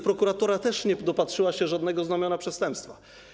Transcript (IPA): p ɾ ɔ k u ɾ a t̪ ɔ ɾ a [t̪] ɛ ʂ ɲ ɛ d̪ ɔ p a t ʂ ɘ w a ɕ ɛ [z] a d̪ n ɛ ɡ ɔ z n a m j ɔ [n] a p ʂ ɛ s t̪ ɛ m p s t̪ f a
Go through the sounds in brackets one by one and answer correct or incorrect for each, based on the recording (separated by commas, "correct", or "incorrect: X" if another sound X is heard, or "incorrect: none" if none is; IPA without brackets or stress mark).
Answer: correct, incorrect: ʐ, correct